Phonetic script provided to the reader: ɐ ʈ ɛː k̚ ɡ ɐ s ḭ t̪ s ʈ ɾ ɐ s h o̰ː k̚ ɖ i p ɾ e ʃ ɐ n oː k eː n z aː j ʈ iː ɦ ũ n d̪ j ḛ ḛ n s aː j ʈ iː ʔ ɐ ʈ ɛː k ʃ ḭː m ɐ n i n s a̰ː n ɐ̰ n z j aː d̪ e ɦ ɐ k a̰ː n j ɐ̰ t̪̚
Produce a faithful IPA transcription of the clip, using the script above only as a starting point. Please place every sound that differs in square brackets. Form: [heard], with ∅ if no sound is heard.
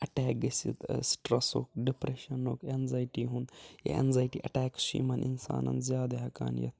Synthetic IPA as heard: ɐ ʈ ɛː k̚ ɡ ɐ s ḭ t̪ s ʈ ɾ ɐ s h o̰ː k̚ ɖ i p ɾ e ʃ ɐ n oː k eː n z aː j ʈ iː ɦ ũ n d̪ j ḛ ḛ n [z] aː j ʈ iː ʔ ɐ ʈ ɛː k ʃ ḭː m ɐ n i n s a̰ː n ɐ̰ n z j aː d̪ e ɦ ɐ k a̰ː n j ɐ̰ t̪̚